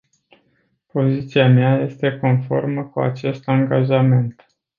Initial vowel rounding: rounded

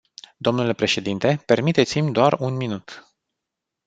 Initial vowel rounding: rounded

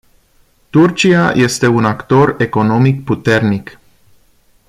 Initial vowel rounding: rounded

